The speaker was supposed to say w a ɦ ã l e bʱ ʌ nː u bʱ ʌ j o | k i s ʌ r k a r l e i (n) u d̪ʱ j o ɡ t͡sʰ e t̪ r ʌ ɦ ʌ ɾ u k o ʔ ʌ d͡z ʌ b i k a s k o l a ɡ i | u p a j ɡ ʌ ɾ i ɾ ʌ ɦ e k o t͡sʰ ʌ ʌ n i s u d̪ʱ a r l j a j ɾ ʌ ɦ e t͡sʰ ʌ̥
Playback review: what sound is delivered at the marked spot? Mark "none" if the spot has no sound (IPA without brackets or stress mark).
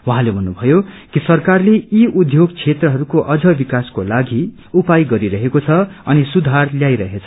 none